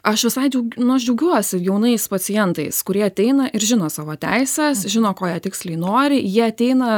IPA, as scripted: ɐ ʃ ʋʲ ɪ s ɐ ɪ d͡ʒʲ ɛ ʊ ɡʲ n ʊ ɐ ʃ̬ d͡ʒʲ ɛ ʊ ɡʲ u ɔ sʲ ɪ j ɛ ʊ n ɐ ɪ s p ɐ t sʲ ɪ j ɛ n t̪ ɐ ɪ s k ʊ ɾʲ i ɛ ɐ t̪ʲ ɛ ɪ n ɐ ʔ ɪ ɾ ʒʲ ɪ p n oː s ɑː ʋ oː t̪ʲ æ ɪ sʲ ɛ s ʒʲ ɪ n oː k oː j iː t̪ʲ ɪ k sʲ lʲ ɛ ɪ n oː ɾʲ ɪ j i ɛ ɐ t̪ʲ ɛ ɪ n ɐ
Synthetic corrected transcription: ɐ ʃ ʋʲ ɪ s ɐ ɪ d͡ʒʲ ɛ ʊ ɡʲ n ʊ ɐ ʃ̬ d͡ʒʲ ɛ ʊ ɡʲ u ɔ sʲ ɪ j ɛ ʊ n ɐ ɪ s p ɐ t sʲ ɪ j ɛ n t̪ ɐ ɪ s k ʊ ɾʲ i ɛ ɐ t̪ʲ ɛ ɪ n ɐ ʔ ɪ ɾ ʒʲ ɪ n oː s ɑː ʋ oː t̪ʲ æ ɪ sʲ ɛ s ʒʲ ɪ n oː k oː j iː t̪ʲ ɪ k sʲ lʲ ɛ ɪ n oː ɾʲ ɪ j i ɛ ɐ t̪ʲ ɛ ɪ n ɐ